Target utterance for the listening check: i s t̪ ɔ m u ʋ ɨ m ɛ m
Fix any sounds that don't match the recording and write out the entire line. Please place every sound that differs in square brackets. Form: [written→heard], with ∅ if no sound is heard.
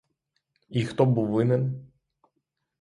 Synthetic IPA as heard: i [s→x] t̪ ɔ [m→b] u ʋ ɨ [m→n] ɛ [m→n]